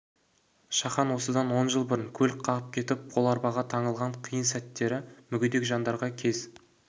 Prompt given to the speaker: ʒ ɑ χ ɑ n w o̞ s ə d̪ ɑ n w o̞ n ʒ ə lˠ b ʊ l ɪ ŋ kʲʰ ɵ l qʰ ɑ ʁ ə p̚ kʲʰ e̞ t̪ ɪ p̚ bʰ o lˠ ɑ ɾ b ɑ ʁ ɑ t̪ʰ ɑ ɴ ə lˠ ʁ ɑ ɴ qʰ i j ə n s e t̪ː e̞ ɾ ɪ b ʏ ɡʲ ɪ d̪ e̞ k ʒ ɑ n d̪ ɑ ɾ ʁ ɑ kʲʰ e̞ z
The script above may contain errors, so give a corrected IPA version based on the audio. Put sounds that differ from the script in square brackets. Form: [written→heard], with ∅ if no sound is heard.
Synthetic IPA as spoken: [ʒ→ʃ] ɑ χ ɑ n w o̞ s ə d̪ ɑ n w o̞ n ʒ ə lˠ b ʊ [l→ɾ] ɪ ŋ kʲʰ ɵ l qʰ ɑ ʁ ə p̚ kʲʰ e̞ t̪ ɪ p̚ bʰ o lˠ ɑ ɾ b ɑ ʁ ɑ t̪ʰ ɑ ɴ ə lˠ ʁ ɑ ɴ qʰ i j ə n s [e→æ] t̪ː e̞ ɾ ɪ [b→m] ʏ ɡʲ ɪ d̪ e̞ k ʒ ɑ n d̪ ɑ ɾ ʁ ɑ kʲʰ e̞ z